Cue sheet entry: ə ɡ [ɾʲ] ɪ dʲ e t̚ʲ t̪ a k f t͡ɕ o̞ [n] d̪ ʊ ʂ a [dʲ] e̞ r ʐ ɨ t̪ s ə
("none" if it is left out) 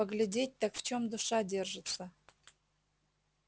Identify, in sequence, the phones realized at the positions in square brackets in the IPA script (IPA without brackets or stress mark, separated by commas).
lʲ, m, dʲ